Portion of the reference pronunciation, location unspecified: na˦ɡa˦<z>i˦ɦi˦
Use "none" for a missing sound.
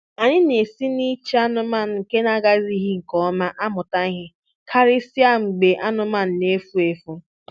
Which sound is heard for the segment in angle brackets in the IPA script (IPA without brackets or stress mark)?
z